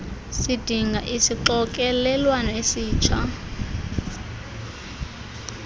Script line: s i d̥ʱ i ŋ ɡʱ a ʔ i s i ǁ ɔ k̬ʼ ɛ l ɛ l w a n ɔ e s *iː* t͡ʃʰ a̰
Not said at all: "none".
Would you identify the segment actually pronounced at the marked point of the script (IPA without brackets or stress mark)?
iː